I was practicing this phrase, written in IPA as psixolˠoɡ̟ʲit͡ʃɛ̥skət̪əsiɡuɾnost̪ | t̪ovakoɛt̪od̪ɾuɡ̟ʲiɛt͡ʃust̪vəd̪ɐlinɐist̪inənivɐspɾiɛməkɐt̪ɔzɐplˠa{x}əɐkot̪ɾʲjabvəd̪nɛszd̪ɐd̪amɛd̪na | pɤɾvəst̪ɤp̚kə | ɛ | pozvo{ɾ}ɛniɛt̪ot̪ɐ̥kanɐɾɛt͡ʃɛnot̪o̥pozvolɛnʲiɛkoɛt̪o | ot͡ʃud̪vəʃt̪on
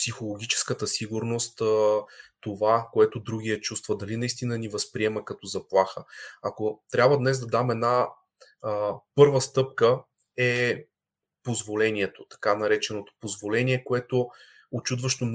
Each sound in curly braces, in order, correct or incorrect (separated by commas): correct, incorrect